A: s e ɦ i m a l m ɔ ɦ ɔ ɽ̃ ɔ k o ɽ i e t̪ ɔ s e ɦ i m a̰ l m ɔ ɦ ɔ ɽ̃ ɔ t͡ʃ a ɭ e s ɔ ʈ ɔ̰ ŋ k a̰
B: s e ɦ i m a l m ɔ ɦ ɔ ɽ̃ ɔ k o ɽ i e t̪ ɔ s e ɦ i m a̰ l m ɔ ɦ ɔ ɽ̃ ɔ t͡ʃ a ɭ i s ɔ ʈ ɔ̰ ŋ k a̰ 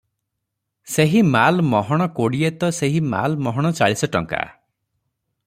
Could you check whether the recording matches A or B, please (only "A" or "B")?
B